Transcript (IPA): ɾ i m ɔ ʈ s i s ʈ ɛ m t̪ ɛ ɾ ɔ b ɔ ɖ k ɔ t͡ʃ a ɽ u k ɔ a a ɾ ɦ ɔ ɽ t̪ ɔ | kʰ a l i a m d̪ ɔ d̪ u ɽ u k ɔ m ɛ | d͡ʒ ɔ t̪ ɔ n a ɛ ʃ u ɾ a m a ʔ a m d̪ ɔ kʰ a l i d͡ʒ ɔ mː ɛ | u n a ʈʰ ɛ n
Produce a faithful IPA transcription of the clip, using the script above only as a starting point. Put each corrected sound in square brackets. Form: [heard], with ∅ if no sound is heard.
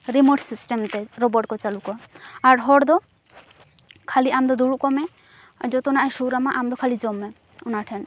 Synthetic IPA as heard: ɾ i m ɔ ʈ s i s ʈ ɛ m t̪ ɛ ɾ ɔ b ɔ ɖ k ɔ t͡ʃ a [l] u k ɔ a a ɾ ɦ ɔ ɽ [d̪] ɔ | kʰ a l i a m d̪ ɔ d̪ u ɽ u k ɔ m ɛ | d͡ʒ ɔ t̪ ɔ n a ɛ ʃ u ɾ a m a ʔ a m d̪ ɔ kʰ a l i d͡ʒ ɔ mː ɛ | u n a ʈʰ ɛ n